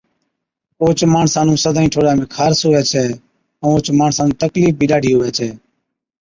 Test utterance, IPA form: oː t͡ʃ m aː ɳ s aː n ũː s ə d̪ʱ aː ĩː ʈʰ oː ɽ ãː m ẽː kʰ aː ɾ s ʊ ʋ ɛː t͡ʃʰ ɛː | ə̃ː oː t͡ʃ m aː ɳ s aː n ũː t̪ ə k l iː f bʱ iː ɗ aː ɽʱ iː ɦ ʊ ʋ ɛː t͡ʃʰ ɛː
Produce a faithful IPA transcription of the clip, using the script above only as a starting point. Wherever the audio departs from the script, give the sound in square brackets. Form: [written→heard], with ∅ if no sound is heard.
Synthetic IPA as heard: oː t͡ʃ m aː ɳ s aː n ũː s ə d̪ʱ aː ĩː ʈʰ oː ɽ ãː m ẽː kʰ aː ɾ s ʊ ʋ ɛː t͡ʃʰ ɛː | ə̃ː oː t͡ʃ m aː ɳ s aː n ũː t̪ ə k l iː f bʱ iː ɗ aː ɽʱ iː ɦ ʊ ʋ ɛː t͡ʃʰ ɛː